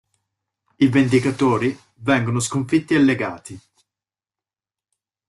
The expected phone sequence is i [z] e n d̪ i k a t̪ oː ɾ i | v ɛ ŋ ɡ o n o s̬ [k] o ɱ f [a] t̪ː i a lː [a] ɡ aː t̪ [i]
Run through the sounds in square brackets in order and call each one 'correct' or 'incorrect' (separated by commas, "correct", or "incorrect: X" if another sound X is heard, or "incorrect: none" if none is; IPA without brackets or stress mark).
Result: incorrect: v, correct, incorrect: i, incorrect: e, correct